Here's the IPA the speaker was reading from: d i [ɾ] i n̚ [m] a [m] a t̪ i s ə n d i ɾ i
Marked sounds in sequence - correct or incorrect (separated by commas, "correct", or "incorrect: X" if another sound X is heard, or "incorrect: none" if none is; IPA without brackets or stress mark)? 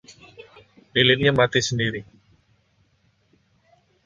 incorrect: l, incorrect: ɲ, correct